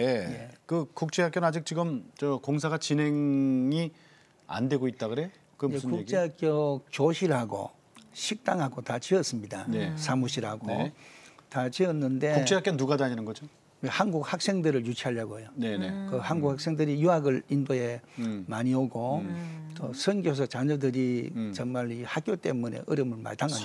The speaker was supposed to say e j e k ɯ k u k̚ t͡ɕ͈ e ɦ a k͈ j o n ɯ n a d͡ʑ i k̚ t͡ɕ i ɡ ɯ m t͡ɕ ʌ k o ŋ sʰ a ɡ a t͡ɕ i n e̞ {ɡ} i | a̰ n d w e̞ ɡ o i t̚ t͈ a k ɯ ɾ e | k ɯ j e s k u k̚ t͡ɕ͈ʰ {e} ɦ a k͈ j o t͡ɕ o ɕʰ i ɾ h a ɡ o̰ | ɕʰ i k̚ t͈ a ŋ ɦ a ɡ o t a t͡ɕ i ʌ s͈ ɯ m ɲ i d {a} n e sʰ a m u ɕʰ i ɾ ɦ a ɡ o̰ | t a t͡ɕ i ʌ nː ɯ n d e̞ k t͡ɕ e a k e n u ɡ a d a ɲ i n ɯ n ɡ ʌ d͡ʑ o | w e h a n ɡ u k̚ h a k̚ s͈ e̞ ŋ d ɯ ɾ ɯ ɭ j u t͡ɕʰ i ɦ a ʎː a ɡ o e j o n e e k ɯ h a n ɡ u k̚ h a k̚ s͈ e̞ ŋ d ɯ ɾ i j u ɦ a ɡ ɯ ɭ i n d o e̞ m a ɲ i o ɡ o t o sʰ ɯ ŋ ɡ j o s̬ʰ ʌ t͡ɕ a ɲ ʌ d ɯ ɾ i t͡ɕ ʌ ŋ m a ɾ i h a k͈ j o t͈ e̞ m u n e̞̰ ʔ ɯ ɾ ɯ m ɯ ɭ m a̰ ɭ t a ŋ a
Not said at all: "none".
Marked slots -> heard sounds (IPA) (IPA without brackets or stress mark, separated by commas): ŋ, e, a